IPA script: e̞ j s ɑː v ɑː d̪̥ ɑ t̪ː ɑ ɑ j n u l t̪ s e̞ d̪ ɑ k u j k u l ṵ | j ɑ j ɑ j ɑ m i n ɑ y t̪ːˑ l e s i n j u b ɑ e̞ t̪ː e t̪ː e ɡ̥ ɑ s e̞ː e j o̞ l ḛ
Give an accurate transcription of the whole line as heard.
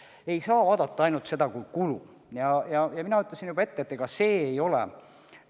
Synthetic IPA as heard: e̞ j s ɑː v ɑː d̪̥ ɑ t̪ː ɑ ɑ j n u l t̪ s e̞ d̪ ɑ k u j k u l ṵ | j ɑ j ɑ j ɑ m i n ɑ y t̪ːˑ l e s i n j u b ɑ e̞ t̪ː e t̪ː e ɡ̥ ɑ s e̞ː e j o̞ l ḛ